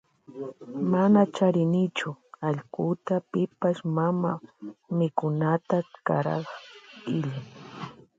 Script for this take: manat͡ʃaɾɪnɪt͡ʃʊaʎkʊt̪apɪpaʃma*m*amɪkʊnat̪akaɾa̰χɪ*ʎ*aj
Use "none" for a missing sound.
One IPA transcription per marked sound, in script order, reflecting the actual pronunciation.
m, ʎ

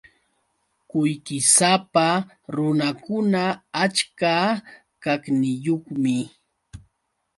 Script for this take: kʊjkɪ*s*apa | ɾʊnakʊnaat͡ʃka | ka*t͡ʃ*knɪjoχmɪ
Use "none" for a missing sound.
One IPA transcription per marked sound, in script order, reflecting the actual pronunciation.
s, none

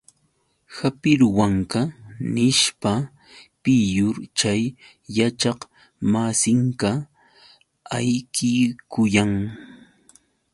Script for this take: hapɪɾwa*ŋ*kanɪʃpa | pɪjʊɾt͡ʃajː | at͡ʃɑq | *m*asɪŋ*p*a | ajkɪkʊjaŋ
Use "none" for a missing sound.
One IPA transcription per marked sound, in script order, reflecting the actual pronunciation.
ŋ, m, k

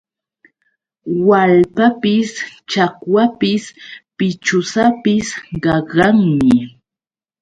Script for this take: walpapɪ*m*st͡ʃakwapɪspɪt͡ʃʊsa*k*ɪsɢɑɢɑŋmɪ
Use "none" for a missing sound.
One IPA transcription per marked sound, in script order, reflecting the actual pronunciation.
none, p

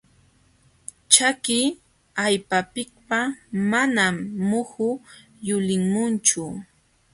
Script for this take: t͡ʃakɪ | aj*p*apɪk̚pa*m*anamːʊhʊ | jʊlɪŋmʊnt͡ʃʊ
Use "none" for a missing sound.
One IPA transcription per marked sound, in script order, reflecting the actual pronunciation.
p, m

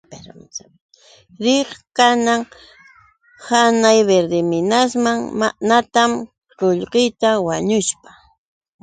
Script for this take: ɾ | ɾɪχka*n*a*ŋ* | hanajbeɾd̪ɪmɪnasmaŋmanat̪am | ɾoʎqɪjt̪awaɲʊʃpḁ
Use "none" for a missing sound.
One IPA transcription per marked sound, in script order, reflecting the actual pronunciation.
n, ŋ

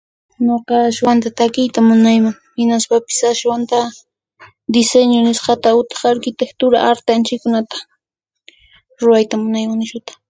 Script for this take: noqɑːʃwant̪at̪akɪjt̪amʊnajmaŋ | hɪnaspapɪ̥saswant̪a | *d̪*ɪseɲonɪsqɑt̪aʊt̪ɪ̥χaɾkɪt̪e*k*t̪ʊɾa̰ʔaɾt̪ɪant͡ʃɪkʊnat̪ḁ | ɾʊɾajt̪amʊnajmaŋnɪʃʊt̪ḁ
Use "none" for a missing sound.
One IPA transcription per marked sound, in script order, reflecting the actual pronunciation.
d̪, k

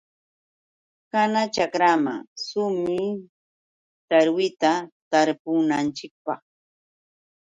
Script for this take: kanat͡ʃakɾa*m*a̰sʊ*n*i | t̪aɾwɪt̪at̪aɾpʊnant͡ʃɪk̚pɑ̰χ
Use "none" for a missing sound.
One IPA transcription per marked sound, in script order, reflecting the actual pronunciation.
m, m

